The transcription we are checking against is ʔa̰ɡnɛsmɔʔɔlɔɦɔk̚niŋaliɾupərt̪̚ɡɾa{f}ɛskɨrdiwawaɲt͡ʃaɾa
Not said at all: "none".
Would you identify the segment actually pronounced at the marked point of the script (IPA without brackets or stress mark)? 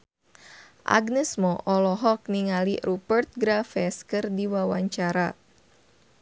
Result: f